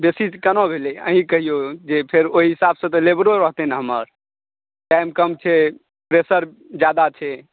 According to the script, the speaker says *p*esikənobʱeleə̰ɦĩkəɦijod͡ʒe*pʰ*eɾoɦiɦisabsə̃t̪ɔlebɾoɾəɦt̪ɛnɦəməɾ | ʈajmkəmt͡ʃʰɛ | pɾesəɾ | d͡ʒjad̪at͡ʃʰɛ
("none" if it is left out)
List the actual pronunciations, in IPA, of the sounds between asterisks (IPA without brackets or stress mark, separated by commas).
b, pʰ